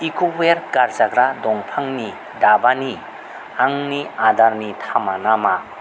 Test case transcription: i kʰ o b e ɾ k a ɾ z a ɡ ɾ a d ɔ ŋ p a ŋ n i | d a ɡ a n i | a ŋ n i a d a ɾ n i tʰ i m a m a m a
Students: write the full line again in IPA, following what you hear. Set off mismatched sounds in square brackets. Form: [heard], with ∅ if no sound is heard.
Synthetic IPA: i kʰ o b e ɾ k a ɾ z a ɡ ɾ a d ɔ ŋ [pʰ] a ŋ n i | d a [b] a n i | a ŋ n i a d a ɾ n i tʰ [a] m a [n] a m a